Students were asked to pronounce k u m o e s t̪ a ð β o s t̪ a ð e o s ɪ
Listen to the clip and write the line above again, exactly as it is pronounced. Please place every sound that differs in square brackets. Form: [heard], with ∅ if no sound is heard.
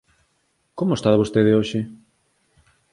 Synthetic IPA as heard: k [o] m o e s t̪ a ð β o s t̪ [e] ð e o [ʃ] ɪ

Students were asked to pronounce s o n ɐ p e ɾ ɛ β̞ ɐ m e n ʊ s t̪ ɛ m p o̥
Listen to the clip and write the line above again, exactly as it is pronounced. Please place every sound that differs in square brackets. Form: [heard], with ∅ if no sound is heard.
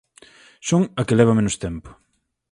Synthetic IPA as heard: s o [ŋ] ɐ [k] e [l] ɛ β̞ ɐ m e n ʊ s t̪ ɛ m p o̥

